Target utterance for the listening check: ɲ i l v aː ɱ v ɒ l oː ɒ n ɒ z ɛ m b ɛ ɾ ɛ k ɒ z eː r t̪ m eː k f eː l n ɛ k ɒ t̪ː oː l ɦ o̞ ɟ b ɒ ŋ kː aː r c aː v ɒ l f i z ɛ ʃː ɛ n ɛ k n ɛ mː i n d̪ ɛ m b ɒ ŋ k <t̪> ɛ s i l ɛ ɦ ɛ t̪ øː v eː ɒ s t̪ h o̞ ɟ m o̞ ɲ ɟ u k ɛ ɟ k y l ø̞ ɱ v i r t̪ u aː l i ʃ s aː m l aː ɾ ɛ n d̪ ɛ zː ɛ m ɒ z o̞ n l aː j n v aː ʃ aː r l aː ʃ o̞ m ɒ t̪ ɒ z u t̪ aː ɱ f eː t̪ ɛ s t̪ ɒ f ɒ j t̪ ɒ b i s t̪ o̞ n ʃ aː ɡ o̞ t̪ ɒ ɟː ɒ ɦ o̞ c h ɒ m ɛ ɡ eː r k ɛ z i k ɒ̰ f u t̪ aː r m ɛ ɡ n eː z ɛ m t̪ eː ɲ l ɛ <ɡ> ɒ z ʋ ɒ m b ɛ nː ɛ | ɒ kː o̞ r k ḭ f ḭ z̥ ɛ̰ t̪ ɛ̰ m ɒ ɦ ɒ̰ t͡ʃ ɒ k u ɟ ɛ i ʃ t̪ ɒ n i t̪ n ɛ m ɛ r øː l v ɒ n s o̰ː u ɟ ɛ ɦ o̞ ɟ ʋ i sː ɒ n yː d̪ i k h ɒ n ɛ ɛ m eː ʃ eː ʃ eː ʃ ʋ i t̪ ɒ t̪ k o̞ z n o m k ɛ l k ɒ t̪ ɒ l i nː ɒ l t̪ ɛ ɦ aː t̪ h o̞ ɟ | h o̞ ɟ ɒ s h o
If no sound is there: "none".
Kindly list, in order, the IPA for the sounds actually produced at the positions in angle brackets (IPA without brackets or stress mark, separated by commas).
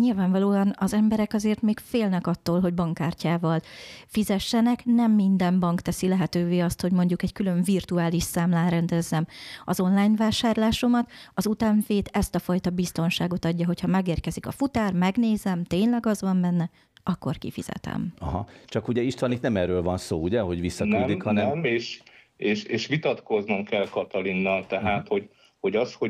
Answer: t̪, ɡ